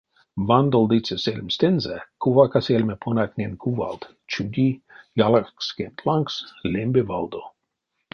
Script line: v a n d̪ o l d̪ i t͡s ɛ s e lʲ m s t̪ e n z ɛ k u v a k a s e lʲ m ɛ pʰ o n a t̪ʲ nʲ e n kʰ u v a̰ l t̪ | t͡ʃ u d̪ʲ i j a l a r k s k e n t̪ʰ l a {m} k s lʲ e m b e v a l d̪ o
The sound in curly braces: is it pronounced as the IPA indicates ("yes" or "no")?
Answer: no